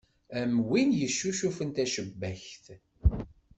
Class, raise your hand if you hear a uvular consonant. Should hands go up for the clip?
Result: no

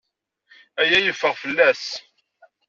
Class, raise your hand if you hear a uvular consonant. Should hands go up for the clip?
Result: yes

